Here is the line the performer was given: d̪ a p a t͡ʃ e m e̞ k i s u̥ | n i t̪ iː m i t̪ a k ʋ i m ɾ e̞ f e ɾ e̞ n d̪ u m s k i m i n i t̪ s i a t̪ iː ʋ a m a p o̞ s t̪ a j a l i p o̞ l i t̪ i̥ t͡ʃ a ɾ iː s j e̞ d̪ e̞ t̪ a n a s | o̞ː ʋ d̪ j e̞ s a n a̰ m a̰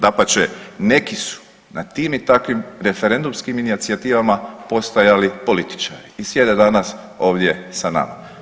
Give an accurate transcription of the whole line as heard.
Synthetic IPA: d̪ a p a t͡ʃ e n e̞ k i s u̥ | n a t̪ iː m i t̪ a k ʋ i m ɾ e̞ f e ɾ e̞ n d̪ u m s k i m i n i t̪ s i a t̪ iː ʋ a m a p o̞ s t̪ a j a l i p o̞ l i t̪ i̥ t͡ʃ a ɾ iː s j e̞ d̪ e̞ d̪ a n a s | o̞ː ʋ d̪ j e̞ s a n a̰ m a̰